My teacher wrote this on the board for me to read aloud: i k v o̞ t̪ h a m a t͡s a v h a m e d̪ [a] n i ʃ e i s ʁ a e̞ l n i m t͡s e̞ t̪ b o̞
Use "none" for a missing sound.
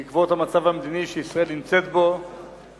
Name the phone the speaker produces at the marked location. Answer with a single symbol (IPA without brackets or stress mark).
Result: i